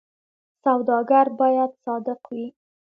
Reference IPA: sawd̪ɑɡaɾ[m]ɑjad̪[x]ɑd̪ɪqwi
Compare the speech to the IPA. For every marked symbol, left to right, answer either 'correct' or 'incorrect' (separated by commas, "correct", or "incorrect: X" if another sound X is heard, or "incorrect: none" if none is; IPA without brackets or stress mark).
incorrect: b, incorrect: s